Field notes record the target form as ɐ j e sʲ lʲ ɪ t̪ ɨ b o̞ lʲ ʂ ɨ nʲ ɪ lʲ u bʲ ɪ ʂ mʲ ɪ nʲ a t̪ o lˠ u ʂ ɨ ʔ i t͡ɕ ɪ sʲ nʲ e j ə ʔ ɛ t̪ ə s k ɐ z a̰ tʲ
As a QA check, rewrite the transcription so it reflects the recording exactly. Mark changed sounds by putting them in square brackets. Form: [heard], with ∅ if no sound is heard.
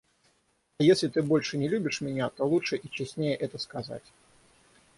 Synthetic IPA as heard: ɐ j e sʲ lʲ ɪ t̪ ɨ b o̞ lʲ ʂ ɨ nʲ ɪ lʲ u bʲ ɪ ʂ mʲ ɪ nʲ a t̪ o lˠ u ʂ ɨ ʔ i t͡ɕ ɪ sʲ nʲ e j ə ʔ ɛ t̪ ə s k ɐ z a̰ tʲ